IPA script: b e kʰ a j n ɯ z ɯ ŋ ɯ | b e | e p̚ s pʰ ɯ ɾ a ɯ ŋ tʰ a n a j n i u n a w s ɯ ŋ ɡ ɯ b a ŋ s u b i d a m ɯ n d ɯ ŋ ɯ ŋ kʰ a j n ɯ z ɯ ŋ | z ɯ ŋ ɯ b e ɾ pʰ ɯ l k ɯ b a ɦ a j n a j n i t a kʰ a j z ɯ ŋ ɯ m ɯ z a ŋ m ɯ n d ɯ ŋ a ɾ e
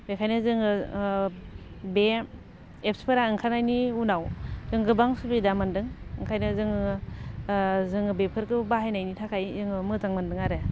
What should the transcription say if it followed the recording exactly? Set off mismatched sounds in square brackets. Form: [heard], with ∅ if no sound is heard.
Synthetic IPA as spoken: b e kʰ a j n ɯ z ɯ ŋ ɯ | b e | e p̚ s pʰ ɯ ɾ a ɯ ŋ [kʰ] a n a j n i u n a w [z] ɯ ŋ ɡ ɯ b a ŋ s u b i d a m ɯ n d ɯ ŋ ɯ ŋ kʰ a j n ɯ z ɯ ŋ | z ɯ ŋ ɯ b e [∅] pʰ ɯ [ɾ] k ɯ b a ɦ a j n a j n i [tʰ] a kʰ a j z ɯ ŋ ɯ m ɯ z a ŋ m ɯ n d ɯ ŋ a ɾ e

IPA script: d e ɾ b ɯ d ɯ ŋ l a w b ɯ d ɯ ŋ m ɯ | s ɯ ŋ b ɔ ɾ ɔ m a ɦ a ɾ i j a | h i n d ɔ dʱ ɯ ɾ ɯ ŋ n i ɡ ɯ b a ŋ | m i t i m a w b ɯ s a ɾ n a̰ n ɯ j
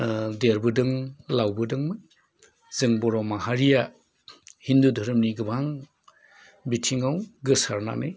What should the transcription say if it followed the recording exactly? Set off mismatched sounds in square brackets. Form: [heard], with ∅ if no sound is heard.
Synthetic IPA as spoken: d e ɾ b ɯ d ɯ ŋ l a w b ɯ d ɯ ŋ m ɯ | [z] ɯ ŋ b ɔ ɾ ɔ m a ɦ a ɾ i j a | h i n d [u] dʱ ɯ ɾ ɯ [m] n i ɡ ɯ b a ŋ | [b] i [tʰ] i [ŋ] a w [ɡ] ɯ s a ɾ n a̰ n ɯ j

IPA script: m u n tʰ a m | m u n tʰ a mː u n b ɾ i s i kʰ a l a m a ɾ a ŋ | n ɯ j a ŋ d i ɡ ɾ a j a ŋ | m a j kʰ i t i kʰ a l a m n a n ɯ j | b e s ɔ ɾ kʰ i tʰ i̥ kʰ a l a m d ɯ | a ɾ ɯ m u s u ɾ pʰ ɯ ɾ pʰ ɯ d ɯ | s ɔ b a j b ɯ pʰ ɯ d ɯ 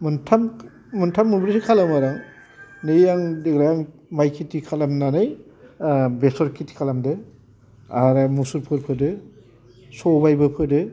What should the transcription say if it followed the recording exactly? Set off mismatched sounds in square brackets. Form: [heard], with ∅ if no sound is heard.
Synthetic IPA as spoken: m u n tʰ a m | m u n tʰ a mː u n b ɾ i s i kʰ a l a m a ɾ a ŋ | n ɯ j a ŋ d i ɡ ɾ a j a ŋ | m a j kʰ i t i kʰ a l a m n a n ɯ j | b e s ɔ ɾ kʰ i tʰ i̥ kʰ a l a m d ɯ | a ɾ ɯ m u s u ɾ pʰ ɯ ɾ pʰ ɯ d ɯ | s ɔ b a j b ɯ pʰ ɯ d ɯ

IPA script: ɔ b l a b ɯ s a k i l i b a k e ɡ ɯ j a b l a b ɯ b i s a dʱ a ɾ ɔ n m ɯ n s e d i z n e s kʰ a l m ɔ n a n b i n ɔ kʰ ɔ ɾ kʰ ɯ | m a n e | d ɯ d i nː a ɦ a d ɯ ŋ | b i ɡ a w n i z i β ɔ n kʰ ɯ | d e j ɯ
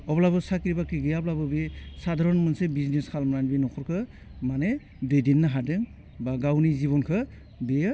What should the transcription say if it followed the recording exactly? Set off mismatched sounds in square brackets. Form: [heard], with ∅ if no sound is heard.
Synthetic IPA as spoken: ɔ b l a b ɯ s a k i [ɾ] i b a k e ɡ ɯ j a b l a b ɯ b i s a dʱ a ɾ ɔ n m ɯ n s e [b] i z n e s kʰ a l m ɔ n a n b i n ɔ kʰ ɔ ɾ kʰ ɯ | m a n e | d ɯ d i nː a ɦ a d ɯ ŋ | b [a] ɡ a w n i z i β ɔ n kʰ ɯ | d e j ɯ

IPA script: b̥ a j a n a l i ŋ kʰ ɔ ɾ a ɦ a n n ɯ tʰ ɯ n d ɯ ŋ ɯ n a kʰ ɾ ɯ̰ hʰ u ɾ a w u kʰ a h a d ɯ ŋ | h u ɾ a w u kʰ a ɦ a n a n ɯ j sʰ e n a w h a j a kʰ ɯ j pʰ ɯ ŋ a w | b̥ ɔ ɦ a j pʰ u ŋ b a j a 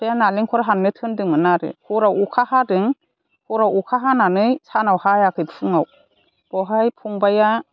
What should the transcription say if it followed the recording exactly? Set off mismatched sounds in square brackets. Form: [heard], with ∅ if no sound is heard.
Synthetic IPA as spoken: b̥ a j a n a l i ŋ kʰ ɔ ɾ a ɦ a n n ɯ tʰ ɯ n d ɯ ŋ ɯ n a [∅] ɾ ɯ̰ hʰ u ɾ a w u kʰ a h a d ɯ ŋ | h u ɾ a w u kʰ a ɦ a n a n ɯ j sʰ [a] n a w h a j a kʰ ɯ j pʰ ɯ ŋ a w | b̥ ɔ ɦ a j pʰ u ŋ b a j a

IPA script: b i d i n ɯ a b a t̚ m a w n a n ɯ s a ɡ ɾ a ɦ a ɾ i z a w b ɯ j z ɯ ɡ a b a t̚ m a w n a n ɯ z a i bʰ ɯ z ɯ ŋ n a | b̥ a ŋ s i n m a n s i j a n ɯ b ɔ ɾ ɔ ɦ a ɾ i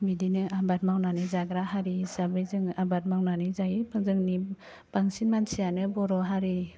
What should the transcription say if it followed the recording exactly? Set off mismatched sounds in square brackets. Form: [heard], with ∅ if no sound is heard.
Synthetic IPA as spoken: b i d i n ɯ a b a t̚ m a w n a n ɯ [z] a ɡ ɾ a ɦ a ɾ i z a [∅] b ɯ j z ɯ [ŋ] a b a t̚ m a w n a n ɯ z a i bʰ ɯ z ɯ ŋ n [i] | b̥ a ŋ s i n m a n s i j a n ɯ b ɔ ɾ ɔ ɦ a ɾ i

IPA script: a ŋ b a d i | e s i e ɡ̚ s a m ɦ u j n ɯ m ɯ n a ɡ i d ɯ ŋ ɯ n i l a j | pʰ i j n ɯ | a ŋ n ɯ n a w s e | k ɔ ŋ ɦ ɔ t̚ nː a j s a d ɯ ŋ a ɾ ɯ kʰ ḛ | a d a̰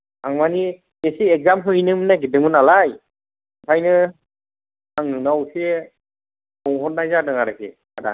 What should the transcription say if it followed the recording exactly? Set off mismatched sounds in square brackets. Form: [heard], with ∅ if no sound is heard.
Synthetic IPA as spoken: a ŋ [m] a [n] i | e s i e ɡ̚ [z] a m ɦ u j n ɯ m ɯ n a ɡ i d ɯ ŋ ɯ n [a] l a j | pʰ [a] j n ɯ | a ŋ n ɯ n a w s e | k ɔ ŋ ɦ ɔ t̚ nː a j [z] a d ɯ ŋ a ɾ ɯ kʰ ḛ | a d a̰

